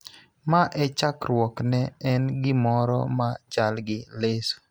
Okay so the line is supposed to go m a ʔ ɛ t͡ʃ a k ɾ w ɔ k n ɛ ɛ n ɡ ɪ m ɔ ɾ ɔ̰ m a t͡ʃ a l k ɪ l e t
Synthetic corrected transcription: m a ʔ ɛ t͡ʃ a k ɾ w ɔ k n ɛ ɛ n ɡ ɪ m ɔ ɾ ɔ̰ m a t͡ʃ a l ɡ ɪ l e s